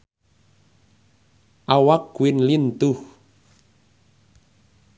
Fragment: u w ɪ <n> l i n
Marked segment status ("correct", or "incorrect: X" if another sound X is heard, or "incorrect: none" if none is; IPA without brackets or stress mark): correct